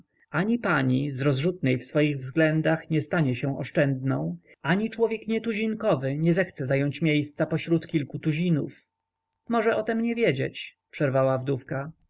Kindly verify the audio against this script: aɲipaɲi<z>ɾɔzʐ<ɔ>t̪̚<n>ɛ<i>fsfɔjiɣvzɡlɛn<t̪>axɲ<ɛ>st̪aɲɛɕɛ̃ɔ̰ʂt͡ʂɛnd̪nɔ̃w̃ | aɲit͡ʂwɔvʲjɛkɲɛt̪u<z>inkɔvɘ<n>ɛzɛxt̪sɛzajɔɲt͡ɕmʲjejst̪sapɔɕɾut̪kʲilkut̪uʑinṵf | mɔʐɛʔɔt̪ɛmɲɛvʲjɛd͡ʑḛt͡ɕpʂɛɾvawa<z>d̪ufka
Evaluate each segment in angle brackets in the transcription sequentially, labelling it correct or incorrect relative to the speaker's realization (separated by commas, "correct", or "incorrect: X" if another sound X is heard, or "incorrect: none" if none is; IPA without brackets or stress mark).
correct, incorrect: u, correct, incorrect: j, incorrect: d̪, correct, incorrect: ʑ, incorrect: ɲ, incorrect: v